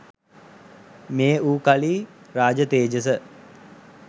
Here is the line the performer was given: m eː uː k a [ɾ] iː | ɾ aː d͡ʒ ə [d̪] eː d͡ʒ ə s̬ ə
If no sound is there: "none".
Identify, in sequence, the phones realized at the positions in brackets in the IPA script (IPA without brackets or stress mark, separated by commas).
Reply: l, t̪